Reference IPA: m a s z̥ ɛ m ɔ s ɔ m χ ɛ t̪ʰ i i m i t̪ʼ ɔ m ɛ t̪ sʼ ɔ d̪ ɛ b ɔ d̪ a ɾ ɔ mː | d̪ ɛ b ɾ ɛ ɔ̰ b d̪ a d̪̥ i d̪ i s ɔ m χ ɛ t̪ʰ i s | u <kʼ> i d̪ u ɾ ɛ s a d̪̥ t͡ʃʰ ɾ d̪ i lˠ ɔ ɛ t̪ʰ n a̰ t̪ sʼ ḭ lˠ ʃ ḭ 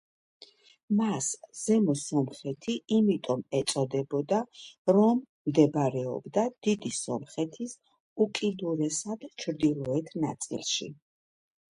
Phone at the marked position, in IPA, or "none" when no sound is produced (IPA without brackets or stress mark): kʼ